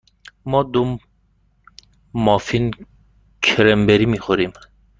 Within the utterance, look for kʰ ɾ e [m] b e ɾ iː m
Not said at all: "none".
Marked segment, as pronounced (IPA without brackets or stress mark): m